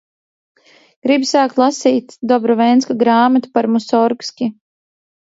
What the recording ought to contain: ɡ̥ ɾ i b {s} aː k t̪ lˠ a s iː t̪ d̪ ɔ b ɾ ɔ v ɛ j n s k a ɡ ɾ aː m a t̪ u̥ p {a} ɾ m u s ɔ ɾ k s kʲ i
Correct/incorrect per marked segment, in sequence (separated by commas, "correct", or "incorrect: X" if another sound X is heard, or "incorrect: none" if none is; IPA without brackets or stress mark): correct, correct